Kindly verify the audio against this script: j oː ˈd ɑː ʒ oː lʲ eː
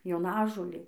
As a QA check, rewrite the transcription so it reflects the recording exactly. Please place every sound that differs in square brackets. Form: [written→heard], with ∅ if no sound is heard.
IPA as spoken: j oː [ˈd→ˈn] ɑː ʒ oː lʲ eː